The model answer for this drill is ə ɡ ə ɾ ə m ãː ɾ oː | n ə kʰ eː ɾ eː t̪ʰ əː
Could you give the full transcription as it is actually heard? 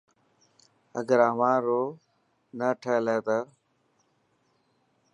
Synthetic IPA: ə ɡ ə ɾ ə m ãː ɾ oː | n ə ʈʰ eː l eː t̪ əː